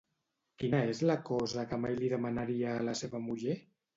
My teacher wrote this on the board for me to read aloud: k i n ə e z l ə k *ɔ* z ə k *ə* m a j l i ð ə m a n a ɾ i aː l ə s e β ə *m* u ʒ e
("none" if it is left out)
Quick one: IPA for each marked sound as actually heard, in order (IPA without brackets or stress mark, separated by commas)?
ɔ, ə, m